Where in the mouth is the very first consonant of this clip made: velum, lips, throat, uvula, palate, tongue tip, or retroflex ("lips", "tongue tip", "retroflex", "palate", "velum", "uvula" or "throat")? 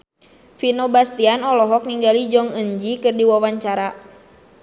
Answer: lips